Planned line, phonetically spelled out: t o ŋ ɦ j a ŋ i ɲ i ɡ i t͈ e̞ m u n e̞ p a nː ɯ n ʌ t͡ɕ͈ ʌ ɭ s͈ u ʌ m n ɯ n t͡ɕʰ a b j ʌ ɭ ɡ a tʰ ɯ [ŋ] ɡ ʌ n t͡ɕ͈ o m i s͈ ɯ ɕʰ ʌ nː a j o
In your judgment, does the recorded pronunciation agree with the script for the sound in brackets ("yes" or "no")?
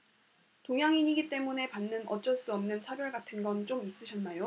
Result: no